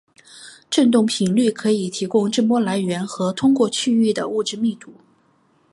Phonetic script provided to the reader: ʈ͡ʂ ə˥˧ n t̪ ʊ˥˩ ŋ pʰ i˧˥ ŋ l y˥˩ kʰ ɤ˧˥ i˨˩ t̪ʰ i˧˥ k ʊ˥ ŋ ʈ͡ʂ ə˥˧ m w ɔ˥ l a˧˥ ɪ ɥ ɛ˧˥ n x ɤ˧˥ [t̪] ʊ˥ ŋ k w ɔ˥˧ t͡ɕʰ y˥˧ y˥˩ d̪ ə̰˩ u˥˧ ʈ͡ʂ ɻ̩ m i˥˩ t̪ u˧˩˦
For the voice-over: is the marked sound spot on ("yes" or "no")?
no